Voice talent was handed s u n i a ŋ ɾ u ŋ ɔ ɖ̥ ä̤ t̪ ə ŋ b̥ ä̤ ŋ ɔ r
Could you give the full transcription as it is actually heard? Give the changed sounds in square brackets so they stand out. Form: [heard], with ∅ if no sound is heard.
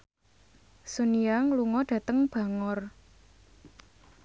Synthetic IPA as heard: s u n i a ŋ [l] u ŋ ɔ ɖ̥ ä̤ t̪ ə ŋ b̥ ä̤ ŋ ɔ r

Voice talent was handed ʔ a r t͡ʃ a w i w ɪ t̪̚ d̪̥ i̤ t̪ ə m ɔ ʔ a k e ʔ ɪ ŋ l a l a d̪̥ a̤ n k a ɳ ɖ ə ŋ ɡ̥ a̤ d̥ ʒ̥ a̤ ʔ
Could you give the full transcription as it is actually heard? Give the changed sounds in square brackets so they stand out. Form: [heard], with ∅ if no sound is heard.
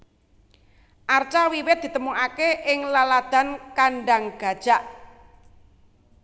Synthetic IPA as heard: ʔ a r t͡ʃ a w i w ɪ t̪̚ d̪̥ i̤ t̪ ə m [u] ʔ a k e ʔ ɪ ŋ l a l a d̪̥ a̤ n k a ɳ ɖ [a] ŋ ɡ̥ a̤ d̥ ʒ̥ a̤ ʔ

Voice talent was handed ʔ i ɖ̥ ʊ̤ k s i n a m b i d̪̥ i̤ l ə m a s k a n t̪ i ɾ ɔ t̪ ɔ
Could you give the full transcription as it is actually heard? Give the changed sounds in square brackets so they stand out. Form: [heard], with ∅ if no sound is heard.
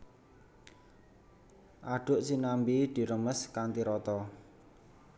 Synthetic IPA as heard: ʔ [a] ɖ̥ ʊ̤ [ʔ] s i n a m b i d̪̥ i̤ [ɾ] ə m [ə] s k a n t̪ i ɾ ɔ t̪ ɔ

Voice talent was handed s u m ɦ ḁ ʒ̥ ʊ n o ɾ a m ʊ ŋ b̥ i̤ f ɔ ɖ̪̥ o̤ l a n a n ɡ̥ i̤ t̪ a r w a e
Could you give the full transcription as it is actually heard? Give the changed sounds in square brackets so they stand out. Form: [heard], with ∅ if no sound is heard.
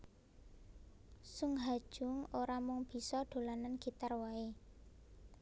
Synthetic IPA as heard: s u [ŋ] ɦ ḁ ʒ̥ ʊ [ŋ] o ɾ a m ʊ ŋ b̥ i̤ [s] ɔ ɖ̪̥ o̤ l a n a n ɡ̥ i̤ t̪ a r w a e

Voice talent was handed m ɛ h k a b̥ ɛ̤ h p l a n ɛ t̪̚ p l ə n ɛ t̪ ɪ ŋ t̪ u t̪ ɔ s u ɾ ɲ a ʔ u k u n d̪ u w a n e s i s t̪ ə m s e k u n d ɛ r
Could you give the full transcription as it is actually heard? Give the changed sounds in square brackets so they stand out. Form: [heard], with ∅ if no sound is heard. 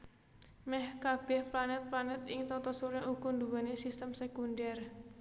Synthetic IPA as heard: m ɛ h k a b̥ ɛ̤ h p l a n ɛ t̪̚ p l [a] n ɛ t̪ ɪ ŋ t̪ [ɔ] t̪ ɔ s u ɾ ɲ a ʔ u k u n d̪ u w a n e s i s t̪ ə m s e k u n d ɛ r

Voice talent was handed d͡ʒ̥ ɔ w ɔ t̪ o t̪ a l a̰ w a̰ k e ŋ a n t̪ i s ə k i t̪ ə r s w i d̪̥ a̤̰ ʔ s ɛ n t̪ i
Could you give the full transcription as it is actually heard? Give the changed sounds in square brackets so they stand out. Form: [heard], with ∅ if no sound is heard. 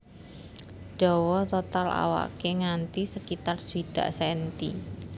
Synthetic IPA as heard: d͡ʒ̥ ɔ w ɔ t̪ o t̪ a l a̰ w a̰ k e ŋ a n t̪ i s ə k i t̪ [a] r s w i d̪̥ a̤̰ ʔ s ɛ n t̪ i

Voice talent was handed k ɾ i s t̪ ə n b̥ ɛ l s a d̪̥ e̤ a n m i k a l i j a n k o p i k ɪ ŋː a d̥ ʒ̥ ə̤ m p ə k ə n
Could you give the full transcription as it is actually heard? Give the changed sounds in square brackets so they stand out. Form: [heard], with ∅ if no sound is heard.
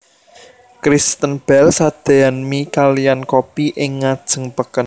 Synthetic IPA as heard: k ɾ i s t̪ ə n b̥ ɛ l s a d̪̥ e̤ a n m i k a l i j a n k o p i [ʔ] ɪ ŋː a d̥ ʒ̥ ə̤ [ŋ] p ə k ə n

